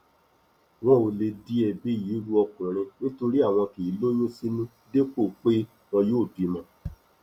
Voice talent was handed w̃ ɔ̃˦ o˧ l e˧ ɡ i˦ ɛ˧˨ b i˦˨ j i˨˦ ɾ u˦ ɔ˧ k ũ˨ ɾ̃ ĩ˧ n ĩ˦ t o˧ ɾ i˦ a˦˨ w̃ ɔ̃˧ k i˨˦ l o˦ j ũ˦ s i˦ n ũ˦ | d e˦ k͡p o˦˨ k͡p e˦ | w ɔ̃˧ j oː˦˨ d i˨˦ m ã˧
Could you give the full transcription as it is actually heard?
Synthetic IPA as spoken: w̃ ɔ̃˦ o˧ l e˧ d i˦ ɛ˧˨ b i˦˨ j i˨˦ ɾ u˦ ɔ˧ k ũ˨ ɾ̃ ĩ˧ n ĩ˦ t o˧ ɾ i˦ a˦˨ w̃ ɔ̃˧ k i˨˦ l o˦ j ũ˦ s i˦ n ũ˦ | d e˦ k͡p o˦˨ k͡p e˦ | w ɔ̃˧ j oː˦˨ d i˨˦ m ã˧